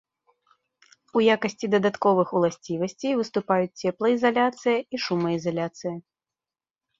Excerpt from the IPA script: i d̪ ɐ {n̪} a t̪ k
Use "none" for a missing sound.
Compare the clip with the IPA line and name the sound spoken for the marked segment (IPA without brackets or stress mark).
d̪